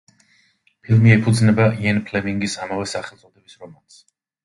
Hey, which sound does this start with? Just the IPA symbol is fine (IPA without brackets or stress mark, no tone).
pʰ